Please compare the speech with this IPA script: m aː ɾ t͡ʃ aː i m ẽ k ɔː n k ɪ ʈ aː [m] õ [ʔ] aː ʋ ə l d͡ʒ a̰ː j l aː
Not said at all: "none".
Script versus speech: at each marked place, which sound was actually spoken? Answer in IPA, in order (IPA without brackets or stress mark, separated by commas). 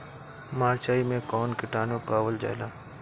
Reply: n, p